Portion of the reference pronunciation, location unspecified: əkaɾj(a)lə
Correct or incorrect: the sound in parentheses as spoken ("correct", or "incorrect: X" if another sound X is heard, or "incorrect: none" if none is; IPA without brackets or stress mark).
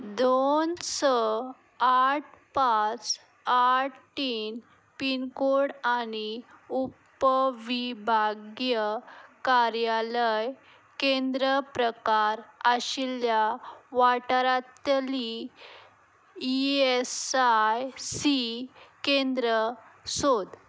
correct